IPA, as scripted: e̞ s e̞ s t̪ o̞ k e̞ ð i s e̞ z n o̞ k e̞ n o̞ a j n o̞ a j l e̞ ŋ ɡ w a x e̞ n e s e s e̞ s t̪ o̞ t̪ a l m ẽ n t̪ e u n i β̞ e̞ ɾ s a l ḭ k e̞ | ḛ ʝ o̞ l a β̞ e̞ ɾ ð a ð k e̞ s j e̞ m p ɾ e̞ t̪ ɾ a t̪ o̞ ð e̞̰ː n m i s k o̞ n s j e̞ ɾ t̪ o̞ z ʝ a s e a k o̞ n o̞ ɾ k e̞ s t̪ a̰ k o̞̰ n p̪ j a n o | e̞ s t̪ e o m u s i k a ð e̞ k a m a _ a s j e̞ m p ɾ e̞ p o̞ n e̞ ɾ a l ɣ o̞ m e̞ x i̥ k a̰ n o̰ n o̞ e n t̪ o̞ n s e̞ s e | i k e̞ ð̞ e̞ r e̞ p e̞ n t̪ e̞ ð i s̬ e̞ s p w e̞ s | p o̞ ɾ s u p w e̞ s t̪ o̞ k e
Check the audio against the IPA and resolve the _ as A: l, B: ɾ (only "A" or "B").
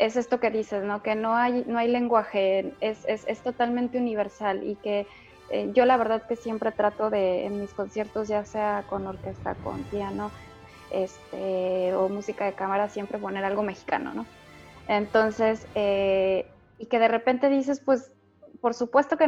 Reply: B